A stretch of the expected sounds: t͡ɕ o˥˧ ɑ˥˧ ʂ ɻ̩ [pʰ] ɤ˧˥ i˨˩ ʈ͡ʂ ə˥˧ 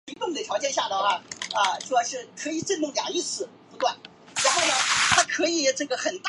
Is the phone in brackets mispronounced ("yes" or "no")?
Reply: yes